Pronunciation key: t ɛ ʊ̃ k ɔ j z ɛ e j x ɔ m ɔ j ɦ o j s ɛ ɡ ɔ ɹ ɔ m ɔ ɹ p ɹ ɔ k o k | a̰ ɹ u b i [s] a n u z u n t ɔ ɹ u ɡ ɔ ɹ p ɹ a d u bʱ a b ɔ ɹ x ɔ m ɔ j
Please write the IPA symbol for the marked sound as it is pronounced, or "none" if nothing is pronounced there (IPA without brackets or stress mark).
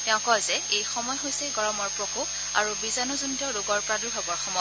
z